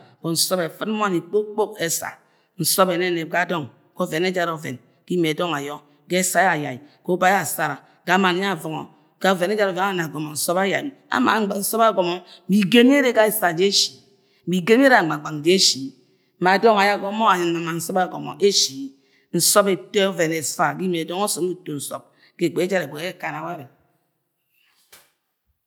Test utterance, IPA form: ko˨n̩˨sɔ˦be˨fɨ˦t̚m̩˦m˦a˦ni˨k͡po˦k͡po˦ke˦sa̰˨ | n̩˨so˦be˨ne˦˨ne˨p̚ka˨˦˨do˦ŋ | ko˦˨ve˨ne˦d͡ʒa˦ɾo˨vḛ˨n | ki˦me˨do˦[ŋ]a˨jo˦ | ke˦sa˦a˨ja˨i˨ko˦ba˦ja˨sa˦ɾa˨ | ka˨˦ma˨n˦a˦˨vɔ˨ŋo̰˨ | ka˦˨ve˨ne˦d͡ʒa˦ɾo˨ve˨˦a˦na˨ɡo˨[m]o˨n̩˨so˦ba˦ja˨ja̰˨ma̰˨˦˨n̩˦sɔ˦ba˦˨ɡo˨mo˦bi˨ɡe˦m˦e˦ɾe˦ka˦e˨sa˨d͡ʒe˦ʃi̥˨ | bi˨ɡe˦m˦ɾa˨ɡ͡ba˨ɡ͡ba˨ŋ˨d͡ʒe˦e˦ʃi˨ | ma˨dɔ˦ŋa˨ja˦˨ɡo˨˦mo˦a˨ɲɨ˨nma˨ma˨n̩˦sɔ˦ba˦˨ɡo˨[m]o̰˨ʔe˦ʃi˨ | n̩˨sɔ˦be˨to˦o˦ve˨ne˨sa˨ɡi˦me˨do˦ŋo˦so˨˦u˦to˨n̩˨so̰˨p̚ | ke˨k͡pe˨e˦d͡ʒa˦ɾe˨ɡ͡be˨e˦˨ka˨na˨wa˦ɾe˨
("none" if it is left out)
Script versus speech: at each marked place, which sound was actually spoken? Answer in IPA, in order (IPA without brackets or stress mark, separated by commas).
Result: ŋ, m, m